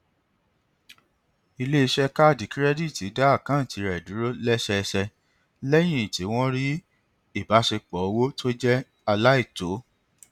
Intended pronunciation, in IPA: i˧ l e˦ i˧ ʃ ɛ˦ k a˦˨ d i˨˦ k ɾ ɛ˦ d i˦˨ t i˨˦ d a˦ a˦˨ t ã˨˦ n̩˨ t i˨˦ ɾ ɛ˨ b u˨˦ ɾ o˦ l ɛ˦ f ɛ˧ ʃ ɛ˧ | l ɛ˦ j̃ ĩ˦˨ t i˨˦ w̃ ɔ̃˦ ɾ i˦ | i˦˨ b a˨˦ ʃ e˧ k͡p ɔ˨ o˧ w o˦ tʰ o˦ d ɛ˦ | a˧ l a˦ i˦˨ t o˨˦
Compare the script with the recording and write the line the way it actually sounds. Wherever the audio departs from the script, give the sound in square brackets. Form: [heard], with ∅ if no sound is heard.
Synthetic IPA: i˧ l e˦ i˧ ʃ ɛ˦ k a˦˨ d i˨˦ k ɾ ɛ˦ d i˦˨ t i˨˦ d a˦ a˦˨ [k] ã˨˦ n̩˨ t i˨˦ ɾ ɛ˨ [d] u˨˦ ɾ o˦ l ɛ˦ [ʃ] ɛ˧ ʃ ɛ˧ | l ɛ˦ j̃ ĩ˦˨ t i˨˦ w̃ ɔ̃˦ ɾ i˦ | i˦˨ b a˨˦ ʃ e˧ k͡p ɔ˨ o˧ w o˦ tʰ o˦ [d͡ʒ] ɛ˦ | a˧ l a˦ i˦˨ t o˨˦